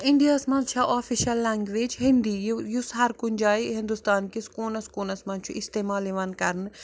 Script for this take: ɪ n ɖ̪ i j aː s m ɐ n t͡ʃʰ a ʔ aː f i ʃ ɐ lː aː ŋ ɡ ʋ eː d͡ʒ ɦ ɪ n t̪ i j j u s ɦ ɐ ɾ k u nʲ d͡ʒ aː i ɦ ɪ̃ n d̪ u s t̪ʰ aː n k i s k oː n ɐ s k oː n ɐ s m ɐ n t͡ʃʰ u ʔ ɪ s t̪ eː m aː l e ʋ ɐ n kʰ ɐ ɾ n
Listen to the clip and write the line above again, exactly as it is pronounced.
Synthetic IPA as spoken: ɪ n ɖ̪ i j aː s m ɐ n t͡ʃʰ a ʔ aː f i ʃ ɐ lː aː ŋ ɡ ʋ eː d͡ʒ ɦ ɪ n d̪ i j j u s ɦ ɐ ɾ k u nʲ d͡ʒ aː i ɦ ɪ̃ n d̪ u s t̪ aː n k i s k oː n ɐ s k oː n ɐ s m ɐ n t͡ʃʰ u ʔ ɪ s t̪ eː m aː l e ʋ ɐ n k ɐ ɾ n